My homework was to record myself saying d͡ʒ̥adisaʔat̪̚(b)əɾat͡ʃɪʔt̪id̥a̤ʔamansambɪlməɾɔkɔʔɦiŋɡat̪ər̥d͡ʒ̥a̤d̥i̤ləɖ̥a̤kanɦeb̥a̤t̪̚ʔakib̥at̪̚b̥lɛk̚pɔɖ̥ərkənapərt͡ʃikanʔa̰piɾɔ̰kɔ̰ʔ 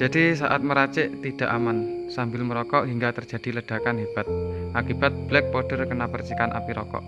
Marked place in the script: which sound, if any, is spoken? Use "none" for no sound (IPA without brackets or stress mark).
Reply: m